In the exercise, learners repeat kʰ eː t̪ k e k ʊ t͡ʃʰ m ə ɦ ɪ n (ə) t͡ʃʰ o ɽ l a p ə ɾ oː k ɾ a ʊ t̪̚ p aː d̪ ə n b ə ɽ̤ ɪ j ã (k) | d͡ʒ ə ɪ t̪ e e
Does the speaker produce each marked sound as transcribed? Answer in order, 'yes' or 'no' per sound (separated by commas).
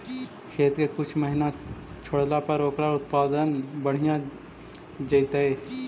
no, no